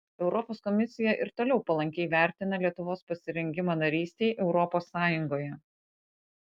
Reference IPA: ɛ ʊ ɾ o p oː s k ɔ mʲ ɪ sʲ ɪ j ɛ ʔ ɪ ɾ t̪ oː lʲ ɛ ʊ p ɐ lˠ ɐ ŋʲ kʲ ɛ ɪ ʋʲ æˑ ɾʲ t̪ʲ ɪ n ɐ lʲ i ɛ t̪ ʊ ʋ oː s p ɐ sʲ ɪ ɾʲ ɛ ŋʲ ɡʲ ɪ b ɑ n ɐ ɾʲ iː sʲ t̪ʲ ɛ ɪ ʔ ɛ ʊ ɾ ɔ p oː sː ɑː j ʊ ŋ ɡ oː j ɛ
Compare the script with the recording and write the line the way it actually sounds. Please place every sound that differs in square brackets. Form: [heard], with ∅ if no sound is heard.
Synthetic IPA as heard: ɛ ʊ ɾ [ɔ] p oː s k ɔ mʲ ɪ sʲ ɪ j ɛ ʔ ɪ ɾ t̪ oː lʲ ɛ ʊ p ɐ lˠ ɐ ŋʲ kʲ ɛ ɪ ʋʲ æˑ ɾʲ t̪ʲ ɪ n ɐ lʲ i ɛ t̪ ʊ ʋ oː s p ɐ sʲ ɪ ɾʲ ɛ ŋʲ ɡʲ ɪ [m] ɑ n ɐ ɾʲ iː sʲ t̪ʲ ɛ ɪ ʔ ɛ ʊ ɾ ɔ p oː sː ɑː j ʊ ŋ ɡ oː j ɛ